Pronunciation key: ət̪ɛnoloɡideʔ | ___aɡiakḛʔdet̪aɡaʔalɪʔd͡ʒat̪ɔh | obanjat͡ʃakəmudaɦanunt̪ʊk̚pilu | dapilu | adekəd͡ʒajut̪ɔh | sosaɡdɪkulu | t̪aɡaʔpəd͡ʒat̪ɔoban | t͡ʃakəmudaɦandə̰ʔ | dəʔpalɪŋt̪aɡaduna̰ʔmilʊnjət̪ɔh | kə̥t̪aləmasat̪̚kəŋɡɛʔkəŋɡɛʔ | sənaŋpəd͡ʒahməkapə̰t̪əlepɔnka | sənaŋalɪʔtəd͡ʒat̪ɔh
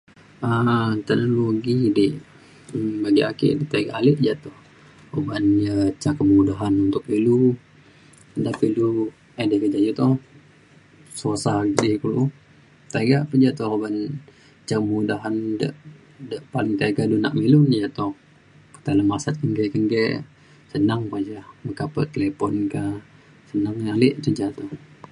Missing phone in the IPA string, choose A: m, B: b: B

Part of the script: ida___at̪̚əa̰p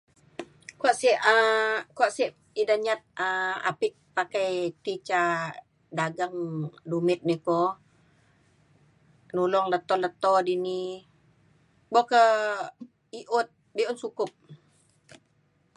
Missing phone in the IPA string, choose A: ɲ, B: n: A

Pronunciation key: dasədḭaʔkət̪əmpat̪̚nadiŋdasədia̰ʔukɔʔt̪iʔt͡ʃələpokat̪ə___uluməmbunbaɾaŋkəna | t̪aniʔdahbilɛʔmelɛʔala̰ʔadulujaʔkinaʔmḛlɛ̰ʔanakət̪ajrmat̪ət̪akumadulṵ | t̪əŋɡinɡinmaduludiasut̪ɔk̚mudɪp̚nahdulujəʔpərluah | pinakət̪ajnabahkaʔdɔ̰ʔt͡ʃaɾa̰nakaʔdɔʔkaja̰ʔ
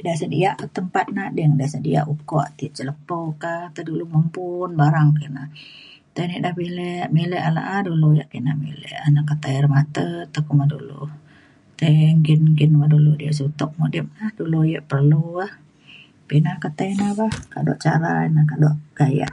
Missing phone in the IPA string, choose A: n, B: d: B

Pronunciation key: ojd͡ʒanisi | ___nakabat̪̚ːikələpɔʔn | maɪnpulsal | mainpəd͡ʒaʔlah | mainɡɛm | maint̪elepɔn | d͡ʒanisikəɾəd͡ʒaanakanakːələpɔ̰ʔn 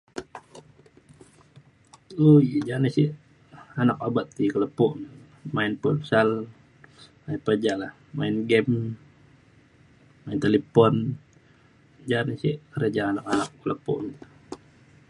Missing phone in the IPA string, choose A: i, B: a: B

